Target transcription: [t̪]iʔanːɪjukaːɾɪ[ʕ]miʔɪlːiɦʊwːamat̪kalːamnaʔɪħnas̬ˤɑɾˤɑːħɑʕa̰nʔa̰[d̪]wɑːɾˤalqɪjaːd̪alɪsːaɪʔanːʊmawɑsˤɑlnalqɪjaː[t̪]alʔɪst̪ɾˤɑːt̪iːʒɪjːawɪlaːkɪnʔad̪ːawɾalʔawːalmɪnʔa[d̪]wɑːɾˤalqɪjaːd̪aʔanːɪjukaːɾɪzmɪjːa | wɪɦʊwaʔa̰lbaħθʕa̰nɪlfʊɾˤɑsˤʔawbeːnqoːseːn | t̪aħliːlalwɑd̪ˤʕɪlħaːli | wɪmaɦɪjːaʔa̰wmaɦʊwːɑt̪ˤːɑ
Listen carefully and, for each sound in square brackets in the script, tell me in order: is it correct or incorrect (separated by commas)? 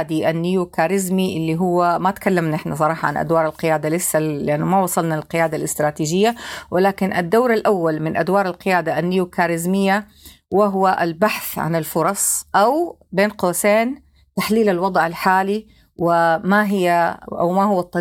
incorrect, incorrect, correct, incorrect, correct